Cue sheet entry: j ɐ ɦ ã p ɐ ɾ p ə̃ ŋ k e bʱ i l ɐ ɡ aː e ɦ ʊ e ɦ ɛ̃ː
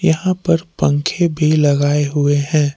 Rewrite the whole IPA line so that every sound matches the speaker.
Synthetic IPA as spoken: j ɐ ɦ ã p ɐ ɾ p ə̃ ŋ kʰ e bʱ i l ɐ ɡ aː e ɦ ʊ e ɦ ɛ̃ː